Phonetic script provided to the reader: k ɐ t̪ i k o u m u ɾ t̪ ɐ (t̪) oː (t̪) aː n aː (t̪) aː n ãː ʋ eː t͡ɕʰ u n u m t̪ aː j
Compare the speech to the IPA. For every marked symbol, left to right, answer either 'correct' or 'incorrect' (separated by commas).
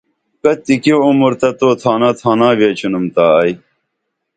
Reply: correct, incorrect, incorrect